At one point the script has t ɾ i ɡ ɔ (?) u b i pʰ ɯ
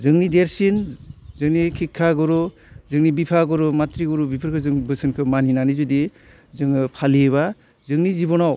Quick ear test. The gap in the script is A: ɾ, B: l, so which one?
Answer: A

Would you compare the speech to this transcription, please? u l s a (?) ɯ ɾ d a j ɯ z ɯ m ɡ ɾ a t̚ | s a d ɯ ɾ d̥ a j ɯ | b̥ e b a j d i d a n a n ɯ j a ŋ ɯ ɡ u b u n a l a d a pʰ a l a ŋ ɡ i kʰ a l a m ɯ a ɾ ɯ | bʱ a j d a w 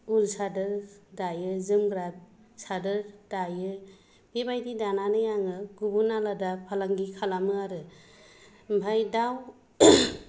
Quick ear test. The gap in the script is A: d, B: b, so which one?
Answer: A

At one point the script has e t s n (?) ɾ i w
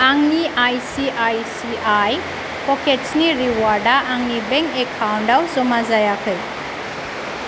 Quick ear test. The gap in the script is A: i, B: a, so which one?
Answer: A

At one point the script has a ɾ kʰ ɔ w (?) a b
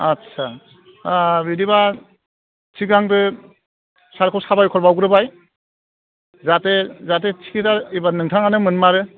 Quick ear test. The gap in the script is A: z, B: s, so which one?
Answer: B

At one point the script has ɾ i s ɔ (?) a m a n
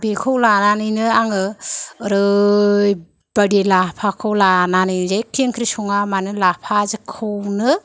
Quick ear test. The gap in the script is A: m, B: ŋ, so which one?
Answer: B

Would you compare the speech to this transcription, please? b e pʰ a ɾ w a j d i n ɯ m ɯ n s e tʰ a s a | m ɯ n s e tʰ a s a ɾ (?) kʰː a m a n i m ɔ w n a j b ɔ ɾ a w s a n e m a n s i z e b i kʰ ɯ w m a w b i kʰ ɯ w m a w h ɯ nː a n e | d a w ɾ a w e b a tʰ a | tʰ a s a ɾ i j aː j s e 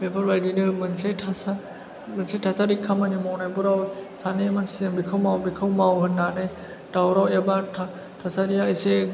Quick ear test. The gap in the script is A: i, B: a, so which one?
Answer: A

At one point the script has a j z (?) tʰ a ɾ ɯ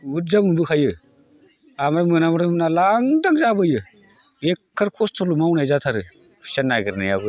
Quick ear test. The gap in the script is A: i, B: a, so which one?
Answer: B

